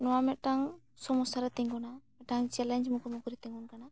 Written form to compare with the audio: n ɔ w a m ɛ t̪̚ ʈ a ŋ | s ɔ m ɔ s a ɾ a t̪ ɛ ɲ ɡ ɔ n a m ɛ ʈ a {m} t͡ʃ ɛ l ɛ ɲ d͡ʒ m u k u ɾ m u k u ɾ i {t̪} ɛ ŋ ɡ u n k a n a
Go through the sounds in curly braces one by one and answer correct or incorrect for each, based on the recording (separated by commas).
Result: incorrect, correct